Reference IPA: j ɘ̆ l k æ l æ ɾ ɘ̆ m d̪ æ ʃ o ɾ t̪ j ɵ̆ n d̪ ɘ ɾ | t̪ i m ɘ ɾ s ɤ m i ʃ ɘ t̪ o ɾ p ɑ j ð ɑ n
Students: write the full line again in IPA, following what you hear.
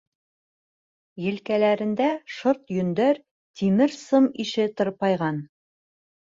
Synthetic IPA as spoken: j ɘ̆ l k æ l æ ɾ ɘ̆ n d̪ æ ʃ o ɾ t̪ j ɵ̆ n d̪ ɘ ɾ | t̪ i m ɘ ɾ s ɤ m i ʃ ɘ t̪ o ɾ p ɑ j ʁ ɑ n